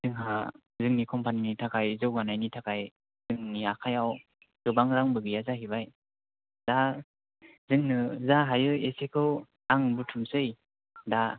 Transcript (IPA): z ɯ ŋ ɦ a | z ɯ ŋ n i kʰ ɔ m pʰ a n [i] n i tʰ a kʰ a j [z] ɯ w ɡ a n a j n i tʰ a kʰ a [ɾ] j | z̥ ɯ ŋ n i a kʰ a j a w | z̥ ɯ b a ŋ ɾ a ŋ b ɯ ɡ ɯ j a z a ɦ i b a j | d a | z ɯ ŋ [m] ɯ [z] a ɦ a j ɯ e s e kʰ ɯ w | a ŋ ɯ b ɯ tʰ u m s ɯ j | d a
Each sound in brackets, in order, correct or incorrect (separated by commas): correct, correct, incorrect, incorrect, correct